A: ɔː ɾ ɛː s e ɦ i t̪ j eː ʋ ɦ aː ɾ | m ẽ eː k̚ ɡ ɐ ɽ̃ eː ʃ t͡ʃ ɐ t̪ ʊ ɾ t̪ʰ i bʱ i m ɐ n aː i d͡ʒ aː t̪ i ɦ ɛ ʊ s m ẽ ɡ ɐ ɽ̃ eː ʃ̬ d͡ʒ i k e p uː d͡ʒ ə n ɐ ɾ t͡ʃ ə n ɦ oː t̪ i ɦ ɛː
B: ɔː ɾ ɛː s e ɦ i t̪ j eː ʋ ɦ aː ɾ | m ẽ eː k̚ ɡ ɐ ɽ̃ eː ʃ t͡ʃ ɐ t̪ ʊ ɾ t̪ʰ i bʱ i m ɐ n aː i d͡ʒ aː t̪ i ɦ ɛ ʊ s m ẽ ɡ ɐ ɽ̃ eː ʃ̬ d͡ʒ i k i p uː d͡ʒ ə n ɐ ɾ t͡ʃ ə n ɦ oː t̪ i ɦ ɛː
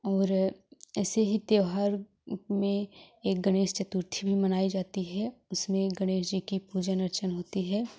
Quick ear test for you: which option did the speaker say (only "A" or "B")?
B